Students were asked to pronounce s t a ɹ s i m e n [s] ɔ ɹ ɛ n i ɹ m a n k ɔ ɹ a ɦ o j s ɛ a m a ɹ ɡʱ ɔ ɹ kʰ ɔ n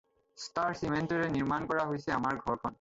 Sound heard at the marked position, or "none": t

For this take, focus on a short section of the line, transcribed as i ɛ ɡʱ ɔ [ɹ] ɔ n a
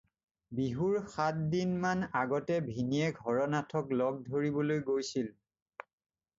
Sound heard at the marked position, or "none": ɹ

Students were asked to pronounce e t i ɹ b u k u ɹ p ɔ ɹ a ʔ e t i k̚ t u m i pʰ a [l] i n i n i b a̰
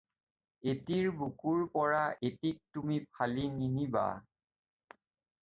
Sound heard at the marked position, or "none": l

